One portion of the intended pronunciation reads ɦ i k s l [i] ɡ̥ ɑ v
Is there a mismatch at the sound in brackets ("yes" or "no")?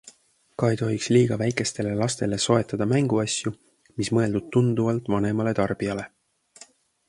yes